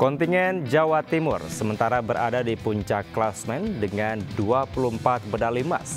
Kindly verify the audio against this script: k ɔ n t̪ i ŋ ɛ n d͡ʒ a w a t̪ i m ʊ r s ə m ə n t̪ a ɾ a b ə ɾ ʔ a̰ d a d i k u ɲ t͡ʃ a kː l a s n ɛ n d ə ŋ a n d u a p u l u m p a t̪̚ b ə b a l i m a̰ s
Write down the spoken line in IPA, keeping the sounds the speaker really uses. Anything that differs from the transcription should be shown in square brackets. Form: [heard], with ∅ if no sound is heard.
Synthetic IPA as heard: k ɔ n t̪ i ŋ ɛ n d͡ʒ a w a t̪ i m ʊ r s ə m ə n t̪ a ɾ a b ə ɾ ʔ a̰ d a d i [p] u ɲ t͡ʃ a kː l a s [m] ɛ n d ə ŋ a n d u a p u l u m p a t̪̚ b ə [d] a l i m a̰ s